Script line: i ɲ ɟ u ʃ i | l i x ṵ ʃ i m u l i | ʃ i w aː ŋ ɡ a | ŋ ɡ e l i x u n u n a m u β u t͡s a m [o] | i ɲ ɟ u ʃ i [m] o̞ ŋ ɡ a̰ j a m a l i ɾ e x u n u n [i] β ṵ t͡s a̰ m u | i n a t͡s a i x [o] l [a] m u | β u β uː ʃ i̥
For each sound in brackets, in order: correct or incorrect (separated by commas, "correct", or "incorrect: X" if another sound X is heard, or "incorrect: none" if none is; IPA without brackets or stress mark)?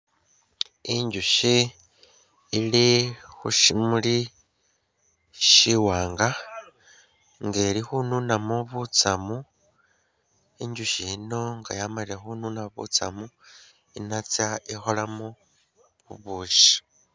incorrect: u, incorrect: n, incorrect: a, correct, correct